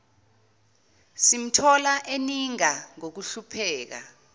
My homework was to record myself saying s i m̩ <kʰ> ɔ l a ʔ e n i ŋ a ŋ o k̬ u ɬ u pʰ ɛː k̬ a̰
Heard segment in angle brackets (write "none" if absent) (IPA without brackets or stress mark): tʰ